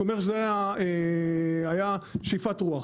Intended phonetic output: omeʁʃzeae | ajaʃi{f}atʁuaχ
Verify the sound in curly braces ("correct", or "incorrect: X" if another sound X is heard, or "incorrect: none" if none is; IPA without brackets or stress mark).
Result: correct